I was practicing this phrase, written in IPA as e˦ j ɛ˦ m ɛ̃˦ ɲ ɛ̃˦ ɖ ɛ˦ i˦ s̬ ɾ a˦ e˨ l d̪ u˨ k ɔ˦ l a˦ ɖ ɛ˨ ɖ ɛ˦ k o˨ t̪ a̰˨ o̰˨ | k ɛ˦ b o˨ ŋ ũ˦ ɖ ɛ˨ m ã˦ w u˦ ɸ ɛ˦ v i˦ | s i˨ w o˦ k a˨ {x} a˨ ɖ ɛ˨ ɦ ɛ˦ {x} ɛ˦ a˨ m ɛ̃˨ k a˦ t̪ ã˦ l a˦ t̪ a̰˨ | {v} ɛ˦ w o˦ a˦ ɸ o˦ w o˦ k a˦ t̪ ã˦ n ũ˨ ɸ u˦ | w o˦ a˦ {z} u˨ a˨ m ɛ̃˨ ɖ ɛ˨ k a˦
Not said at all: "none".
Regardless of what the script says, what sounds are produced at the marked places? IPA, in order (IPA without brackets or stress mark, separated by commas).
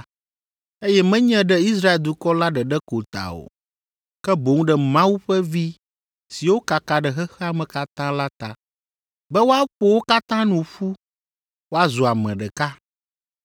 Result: k, x, b, z